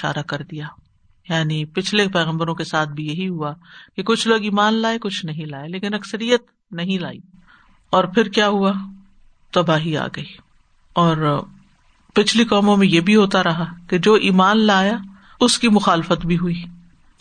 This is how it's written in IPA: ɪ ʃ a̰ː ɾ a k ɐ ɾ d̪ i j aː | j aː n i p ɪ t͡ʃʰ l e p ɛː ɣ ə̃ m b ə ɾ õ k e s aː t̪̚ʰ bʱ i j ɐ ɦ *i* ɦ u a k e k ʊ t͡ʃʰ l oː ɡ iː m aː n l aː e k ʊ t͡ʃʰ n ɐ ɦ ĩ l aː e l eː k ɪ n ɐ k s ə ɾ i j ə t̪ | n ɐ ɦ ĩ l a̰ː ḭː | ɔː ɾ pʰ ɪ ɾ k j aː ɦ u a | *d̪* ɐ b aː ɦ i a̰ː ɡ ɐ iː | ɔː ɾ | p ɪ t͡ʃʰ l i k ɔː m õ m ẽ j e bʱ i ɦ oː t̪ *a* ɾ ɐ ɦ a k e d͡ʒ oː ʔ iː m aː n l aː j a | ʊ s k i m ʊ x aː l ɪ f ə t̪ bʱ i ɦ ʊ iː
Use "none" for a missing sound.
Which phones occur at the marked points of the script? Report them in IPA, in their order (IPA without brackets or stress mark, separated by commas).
i, t̪, a